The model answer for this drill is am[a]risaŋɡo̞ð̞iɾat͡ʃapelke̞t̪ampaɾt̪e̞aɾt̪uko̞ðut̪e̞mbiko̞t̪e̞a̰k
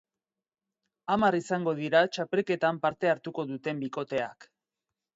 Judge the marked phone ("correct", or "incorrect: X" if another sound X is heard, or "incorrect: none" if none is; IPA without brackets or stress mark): correct